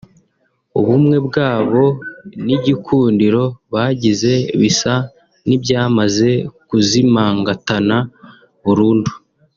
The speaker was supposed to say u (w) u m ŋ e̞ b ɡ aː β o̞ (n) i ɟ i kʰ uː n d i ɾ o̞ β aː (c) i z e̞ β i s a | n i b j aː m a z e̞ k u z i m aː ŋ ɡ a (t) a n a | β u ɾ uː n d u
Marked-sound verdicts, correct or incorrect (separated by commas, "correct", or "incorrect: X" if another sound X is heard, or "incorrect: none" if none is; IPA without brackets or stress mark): incorrect: β, correct, incorrect: ɟ, correct